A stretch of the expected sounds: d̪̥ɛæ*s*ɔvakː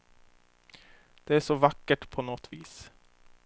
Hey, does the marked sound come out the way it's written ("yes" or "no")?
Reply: no